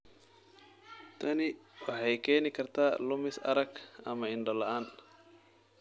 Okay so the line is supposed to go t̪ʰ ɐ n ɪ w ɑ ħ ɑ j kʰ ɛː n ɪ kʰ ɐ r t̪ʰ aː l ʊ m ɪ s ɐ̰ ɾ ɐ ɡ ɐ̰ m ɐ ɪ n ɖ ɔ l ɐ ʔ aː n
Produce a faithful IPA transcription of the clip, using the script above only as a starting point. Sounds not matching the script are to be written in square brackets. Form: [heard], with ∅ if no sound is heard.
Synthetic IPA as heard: t̪ʰ ɐ n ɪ w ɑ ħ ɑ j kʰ ɛː n ɪ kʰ ɐ r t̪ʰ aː l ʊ m ɪ s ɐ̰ ɾ ɐ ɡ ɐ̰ m ɐ ɪ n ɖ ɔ l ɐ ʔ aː n

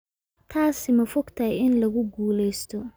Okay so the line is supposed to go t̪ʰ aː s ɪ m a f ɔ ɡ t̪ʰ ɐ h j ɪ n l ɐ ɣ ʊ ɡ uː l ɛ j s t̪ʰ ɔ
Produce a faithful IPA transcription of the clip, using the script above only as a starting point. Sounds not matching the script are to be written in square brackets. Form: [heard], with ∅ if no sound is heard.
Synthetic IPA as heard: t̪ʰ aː s ɪ m [ɐ] f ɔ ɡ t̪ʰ ɐ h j ɪ n l ɐ ɣ ʊ ɡ uː l ɛ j s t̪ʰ ɔ

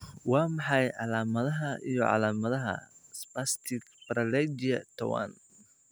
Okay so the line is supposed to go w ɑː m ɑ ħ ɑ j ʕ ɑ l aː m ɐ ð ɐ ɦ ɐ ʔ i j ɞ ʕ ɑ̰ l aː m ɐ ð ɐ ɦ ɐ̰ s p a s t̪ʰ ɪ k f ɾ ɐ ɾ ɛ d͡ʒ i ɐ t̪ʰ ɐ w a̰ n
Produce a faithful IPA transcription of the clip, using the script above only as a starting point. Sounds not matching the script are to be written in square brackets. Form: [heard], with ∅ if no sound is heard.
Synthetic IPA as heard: w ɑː m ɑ ħ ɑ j ʕ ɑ l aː m ɐ ð ɐ ɦ ɐ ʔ i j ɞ ʕ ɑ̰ l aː m ɐ ð ɐ ɦ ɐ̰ s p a s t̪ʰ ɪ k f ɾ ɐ [l] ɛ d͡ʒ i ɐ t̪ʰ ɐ w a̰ n

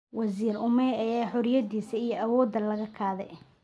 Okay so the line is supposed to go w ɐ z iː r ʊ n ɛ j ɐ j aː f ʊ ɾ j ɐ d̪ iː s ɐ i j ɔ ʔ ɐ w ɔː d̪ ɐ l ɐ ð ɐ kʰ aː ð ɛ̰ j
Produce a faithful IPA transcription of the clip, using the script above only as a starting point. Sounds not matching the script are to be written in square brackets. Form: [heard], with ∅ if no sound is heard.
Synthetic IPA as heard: w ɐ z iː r ʊ [m] ɛ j ɐ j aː [ħ] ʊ ɾ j ɐ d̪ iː s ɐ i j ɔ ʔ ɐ w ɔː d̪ ɐ l ɐ [ɣ] ɐ kʰ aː ð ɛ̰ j

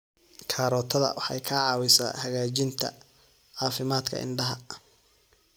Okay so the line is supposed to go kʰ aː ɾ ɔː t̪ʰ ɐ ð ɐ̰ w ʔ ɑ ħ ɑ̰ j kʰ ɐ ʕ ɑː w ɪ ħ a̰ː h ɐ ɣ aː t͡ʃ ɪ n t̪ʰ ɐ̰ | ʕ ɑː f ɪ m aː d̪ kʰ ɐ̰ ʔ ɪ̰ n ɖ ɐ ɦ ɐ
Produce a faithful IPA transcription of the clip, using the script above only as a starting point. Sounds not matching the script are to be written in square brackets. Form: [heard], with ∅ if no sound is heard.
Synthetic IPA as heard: kʰ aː ɾ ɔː t̪ʰ ɐ ð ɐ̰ w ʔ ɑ ħ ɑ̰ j kʰ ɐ ʕ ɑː w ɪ [s] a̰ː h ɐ ɣ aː t͡ʃ ɪ n t̪ʰ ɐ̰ | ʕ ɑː f ɪ m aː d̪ kʰ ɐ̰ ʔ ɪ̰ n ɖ ɐ ɦ ɐ

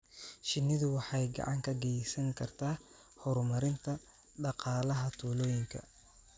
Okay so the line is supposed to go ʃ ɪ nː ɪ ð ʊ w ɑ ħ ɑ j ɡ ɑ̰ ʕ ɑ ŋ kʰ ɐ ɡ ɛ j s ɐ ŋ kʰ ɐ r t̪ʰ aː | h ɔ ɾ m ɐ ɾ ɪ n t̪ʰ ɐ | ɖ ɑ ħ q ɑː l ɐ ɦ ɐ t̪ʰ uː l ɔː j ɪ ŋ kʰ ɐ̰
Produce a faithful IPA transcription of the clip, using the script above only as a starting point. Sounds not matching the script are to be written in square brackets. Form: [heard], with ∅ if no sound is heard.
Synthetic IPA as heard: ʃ ɪ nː ɪ ð ʊ w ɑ ħ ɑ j ɡ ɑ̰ ʕ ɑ ŋ kʰ ɐ ɡ ɛ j s ɐ ŋ kʰ ɐ r t̪ʰ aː | h ɔ ɾ m ɐ ɾ ɪ n t̪ʰ ɐ | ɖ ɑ [∅] q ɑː l ɐ ɦ ɐ t̪ʰ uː l ɔː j ɪ ŋ kʰ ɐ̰

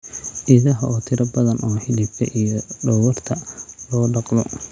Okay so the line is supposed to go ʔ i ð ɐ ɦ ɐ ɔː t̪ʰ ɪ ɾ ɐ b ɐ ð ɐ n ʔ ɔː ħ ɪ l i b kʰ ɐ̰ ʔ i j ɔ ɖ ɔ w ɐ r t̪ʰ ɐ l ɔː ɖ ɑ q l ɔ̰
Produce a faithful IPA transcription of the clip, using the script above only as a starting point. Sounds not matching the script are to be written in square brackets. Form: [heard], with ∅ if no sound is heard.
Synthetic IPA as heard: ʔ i ð ɐ ɦ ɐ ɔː t̪ʰ ɪ ɾ ɐ b ɐ ð ɐ n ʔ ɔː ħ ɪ l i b kʰ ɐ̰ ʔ i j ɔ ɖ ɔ w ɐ r t̪ʰ ɐ l ɔː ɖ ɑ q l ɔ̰

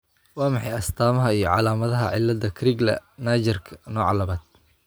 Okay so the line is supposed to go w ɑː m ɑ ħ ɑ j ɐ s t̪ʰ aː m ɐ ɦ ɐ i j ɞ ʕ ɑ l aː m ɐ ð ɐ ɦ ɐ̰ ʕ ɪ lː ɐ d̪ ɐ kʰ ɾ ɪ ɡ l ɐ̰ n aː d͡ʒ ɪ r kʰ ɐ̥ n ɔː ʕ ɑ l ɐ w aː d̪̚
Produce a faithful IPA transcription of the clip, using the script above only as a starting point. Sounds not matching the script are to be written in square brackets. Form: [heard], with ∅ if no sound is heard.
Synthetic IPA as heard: w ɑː m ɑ ħ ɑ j ɐ s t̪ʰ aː m ɐ ɦ ɐ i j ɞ ʕ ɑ l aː m ɐ ð ɐ ɦ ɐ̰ ʕ ɪ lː ɐ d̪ ɐ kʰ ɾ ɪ ɡ l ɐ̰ n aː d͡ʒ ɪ r kʰ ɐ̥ n ɔː ʕ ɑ l ɐ [β] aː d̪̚

